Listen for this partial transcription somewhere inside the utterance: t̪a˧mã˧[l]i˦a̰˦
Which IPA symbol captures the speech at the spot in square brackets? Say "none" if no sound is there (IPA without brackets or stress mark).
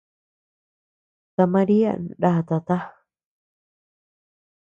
ɾ